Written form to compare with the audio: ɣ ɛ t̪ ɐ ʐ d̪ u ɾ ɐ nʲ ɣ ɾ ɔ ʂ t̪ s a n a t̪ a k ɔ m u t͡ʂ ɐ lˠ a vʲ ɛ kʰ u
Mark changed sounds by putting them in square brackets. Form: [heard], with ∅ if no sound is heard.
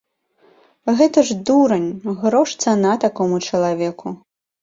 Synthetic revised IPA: ɣ ɛ t̪ ɐ ʐ d̪ u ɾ ɐ nʲ ɣ ɾ ɔ ʂ t̪ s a n a t̪ a k ɔ m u t͡ʂ ɐ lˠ a vʲ ɛ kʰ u